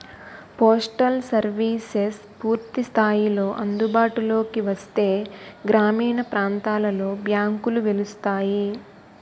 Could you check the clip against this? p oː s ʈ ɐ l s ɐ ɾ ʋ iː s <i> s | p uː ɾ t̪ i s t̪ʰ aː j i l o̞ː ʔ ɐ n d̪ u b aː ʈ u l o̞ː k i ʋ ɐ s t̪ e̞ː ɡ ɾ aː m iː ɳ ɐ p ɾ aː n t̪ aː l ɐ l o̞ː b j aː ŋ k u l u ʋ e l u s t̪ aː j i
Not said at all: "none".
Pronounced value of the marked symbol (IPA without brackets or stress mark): e